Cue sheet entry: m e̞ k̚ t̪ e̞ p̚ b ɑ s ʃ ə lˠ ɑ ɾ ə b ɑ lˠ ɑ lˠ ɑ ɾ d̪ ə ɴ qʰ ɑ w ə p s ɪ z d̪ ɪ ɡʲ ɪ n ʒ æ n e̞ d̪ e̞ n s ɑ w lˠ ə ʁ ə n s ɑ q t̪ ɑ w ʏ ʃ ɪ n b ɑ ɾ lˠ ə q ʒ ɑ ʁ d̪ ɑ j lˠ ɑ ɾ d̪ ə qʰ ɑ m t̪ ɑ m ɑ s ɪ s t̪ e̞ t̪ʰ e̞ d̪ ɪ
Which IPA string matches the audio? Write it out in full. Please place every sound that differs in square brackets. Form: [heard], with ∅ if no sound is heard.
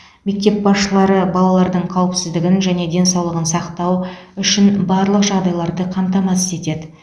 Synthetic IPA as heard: m e̞ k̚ t̪ e̞ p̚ b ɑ s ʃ ə lˠ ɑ ɾ ə b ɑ lˠ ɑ lˠ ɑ ɾ d̪ ə ɴ qʰ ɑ w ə p s ɪ z d̪ ɪ ɡʲ ɪ n ʒ æ n e̞ d̪ e̞ n s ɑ w lˠ ə ʁ ə n s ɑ q t̪ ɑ w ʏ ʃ ɪ n b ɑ ɾ lˠ ə q ʒ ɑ ʁ d̪ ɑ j lˠ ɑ ɾ d̪ ə qʰ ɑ m t̪ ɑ m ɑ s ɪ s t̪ e̞ [t̪] e̞ d̪ ɪ